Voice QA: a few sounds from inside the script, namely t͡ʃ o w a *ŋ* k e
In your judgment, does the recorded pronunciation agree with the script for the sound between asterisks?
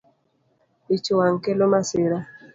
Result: yes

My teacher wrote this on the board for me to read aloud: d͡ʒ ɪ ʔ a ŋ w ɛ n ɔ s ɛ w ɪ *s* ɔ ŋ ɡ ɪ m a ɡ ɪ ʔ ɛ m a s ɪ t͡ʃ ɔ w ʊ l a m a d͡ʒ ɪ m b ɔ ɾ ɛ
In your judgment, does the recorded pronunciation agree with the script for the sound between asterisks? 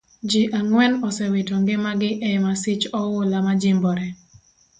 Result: no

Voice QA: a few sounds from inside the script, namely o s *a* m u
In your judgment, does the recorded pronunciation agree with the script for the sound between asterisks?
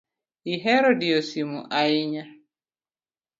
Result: no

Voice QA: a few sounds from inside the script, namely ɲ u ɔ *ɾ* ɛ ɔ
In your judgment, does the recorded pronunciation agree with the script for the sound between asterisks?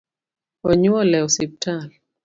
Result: no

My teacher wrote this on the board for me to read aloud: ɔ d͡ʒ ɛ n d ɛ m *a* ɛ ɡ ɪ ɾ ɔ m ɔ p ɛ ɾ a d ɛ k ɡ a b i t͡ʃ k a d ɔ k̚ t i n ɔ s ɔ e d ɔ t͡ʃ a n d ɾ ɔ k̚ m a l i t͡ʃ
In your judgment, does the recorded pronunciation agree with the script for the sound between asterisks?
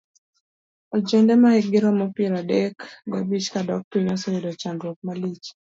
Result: yes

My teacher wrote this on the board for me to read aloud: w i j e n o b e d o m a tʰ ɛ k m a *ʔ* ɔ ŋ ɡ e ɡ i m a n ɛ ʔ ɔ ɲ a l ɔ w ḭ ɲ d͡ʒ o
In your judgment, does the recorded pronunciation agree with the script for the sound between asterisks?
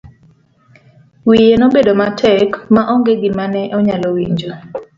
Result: yes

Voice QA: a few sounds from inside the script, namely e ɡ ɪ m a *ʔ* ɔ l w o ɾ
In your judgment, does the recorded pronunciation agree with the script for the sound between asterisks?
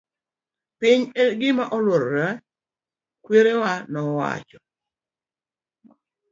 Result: yes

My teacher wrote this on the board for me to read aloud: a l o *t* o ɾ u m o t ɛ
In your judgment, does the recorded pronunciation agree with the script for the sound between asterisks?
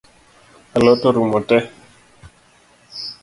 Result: yes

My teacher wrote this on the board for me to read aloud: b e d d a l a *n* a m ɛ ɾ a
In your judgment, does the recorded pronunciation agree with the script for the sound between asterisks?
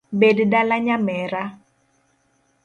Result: no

